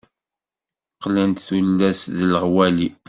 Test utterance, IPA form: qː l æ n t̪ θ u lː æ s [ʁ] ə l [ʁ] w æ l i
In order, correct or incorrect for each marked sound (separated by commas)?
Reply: incorrect, correct